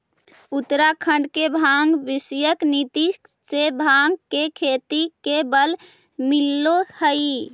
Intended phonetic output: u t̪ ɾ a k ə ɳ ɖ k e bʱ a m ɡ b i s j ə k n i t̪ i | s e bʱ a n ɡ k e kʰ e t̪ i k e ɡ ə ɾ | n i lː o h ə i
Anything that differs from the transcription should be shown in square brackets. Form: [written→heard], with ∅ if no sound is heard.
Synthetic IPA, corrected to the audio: u t̪ ɾ a [k→kʰ] ə ɳ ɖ k e bʱ a [m→ŋ] ɡ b i s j ə k n i t̪ i | s e bʱ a [n→ŋ] ɡ k e kʰ e t̪ i k e [ɡ→b] ə [ɾ→l] | [n→m] i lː o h ə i